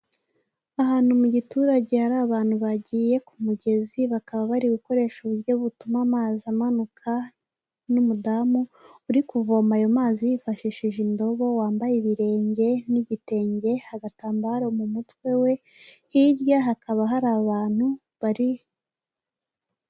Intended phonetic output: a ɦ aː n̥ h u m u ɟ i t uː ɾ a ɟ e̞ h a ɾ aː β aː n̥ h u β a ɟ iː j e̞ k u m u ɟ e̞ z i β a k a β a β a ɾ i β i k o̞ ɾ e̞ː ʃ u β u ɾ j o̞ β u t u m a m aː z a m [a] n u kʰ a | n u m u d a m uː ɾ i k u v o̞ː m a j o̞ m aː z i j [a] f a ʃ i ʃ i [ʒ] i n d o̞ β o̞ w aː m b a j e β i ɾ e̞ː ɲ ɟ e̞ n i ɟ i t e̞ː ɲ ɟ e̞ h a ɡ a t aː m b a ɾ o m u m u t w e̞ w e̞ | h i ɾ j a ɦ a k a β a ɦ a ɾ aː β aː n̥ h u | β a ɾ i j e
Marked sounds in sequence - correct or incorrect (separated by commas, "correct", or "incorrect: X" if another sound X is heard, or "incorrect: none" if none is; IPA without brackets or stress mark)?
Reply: correct, incorrect: i, correct